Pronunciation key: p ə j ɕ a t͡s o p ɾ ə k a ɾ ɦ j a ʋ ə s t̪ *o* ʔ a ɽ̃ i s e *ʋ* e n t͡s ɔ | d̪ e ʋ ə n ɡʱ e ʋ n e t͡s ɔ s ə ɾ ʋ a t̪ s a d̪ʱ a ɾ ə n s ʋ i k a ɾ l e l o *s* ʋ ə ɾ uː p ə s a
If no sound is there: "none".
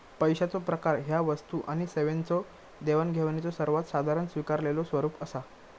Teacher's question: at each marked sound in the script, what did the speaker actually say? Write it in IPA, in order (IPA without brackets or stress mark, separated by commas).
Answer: u, ʋ, s